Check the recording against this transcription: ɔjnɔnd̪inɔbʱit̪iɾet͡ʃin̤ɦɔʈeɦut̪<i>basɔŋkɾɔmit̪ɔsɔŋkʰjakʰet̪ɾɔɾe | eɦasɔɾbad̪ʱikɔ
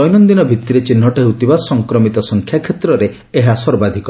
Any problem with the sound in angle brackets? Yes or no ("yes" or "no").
no